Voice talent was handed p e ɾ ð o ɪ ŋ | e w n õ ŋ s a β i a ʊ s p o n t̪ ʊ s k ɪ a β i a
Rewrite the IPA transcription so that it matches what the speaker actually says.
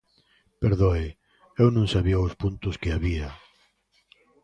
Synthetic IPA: p e ɾ ð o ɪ | e w n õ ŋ s a β i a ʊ s p u n t̪ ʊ s k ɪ a β i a